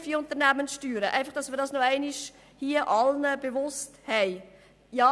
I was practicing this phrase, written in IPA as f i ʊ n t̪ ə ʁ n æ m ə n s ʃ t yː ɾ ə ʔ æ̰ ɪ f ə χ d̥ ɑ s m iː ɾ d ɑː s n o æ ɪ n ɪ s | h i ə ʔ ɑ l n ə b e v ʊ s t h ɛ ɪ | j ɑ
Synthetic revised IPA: f i ʊ n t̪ ə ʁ n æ m ə n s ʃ t yː ɾ ə ʔ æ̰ ɪ f ɑ χ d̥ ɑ s m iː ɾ d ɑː s n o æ ɪ n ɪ ʃ | h i ə ʔ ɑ l n ə b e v ʊ s t h ɛ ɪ | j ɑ